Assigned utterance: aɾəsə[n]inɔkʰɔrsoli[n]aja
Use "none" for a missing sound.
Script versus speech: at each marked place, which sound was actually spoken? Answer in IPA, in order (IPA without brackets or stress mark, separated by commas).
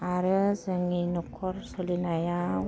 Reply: ŋ, n